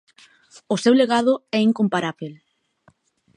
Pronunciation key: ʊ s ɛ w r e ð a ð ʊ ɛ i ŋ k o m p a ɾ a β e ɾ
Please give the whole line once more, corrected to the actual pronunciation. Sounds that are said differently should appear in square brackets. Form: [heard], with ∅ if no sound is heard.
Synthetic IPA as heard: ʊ s [e] w [l] e [ɣ] a ð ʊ ɛ i ŋ k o m p a ɾ a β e [l]